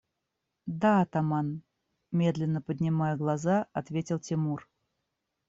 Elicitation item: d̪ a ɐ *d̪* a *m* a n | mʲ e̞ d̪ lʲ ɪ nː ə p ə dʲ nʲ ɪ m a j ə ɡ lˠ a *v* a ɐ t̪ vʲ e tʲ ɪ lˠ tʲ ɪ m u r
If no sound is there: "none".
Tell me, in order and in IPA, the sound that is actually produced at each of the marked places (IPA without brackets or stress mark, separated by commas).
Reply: t̪, m, z